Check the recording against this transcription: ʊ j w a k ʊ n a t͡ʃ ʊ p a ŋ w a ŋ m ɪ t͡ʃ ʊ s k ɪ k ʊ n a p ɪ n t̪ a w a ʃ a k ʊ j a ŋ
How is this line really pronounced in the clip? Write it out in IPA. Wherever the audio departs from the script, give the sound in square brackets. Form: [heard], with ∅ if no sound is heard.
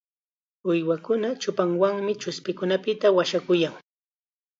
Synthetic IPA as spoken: ʊ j w a k ʊ n a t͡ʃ ʊ p a ŋ w a ŋ m ɪ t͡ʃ ʊ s [p] ɪ k ʊ n a p ɪ [∅] t̪ a w a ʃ a k ʊ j a ŋ